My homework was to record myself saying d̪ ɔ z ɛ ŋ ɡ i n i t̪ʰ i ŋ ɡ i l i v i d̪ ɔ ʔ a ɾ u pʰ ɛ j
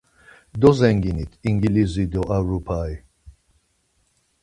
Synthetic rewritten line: d̪ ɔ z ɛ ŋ ɡ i n i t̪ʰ i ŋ ɡ i l i z i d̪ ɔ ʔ a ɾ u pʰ a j